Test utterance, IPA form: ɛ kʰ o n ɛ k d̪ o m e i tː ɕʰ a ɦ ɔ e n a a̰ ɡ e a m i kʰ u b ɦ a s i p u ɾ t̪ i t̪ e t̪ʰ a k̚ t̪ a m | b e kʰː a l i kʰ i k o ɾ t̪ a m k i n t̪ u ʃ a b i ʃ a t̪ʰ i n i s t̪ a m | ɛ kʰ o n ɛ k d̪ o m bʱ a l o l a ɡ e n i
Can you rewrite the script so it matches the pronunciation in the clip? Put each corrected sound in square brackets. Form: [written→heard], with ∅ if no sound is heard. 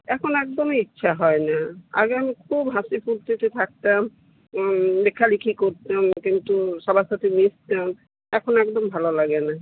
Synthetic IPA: ɛ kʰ o n ɛ k d̪ o m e i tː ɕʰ a ɦ ɔ e n a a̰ ɡ e a m i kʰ u b ɦ a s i p u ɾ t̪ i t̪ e t̪ʰ a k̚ t̪ a m | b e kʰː a l i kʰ i k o ɾ t̪ a m k i n t̪ u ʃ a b [i→a] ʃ a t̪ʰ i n i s t̪ a m | ɛ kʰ o n ɛ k d̪ o m bʱ a l o l a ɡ e n [i→a]